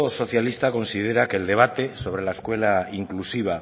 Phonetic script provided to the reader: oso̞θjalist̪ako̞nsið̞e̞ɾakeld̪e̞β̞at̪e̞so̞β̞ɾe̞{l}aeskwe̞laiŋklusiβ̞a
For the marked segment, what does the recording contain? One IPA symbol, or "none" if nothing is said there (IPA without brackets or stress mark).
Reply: l